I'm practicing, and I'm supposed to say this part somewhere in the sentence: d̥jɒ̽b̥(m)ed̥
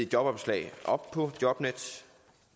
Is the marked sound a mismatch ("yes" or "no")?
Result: yes